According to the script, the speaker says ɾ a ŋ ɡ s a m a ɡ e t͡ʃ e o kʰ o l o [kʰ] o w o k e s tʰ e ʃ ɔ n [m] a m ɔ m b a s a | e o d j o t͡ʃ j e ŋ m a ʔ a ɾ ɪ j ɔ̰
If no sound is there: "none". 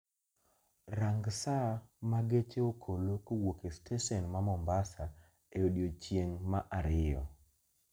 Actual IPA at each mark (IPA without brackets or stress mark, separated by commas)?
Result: k, m